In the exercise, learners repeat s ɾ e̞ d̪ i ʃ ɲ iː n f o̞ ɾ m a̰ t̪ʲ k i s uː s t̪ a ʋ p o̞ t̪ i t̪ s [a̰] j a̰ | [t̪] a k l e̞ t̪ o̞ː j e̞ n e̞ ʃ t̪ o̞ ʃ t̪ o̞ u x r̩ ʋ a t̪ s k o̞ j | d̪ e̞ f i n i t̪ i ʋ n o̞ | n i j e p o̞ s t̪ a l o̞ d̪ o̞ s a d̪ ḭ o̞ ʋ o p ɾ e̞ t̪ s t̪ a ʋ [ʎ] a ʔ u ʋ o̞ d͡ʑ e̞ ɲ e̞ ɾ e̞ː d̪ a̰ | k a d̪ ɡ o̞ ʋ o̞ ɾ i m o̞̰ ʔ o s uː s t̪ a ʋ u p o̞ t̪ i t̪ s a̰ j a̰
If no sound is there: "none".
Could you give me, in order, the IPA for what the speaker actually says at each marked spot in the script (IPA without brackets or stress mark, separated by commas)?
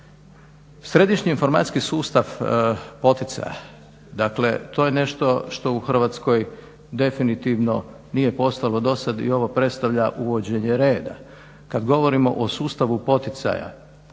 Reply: a̰, d̪, ʎ